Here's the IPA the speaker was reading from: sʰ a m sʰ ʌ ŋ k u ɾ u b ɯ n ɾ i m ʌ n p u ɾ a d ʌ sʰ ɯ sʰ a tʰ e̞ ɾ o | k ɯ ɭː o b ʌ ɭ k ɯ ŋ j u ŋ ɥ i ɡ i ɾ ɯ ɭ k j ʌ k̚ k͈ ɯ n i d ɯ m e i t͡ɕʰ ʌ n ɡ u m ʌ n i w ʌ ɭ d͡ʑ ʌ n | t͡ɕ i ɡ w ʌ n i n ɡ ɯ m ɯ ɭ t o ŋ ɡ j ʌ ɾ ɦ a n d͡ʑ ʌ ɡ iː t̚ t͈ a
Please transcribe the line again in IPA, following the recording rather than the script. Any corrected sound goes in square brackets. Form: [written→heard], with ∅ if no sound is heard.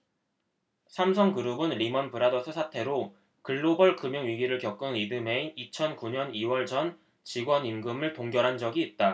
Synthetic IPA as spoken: sʰ a m sʰ ʌ ŋ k [u→ɯ] ɾ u b ɯ n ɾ i m ʌ n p [u→ɯ] ɾ a d ʌ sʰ ɯ sʰ a tʰ e̞ ɾ o | k ɯ ɭː o b ʌ ɭ k ɯ [ŋ→m] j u ŋ ɥ i ɡ i ɾ ɯ ɭ k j ʌ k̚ k͈ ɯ n i d ɯ m e i t͡ɕʰ ʌ n [ɡ→k] u [m→ɲ] ʌ n i w ʌ ɭ d͡ʑ ʌ n | t͡ɕ i ɡ w ʌ n i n ɡ ɯ m ɯ ɭ t o ŋ ɡ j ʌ ɾ ɦ a n d͡ʑ ʌ ɡ iː t̚ t͈ a